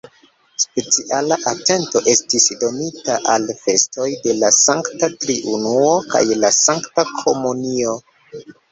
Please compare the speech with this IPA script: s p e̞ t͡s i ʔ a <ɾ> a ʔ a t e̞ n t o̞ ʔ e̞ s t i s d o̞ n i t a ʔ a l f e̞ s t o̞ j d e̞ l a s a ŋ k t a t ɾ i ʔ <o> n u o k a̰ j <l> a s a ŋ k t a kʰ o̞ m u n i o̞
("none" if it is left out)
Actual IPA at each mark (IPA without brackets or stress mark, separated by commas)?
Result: l, u, l